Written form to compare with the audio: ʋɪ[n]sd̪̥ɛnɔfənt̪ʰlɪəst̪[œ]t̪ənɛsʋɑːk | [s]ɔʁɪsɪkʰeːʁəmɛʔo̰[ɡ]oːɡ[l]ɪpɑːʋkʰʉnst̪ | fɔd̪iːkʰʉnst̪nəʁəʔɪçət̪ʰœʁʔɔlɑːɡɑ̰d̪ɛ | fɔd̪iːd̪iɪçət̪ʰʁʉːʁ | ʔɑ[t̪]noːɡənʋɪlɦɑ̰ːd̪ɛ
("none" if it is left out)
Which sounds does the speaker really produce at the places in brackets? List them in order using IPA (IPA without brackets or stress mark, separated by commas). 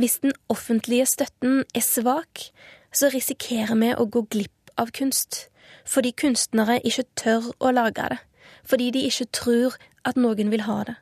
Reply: none, œ, s, ɡ, l, t̪